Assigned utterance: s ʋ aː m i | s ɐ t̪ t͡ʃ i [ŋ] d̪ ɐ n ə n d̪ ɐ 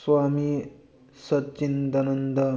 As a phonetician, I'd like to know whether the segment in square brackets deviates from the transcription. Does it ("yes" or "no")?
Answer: yes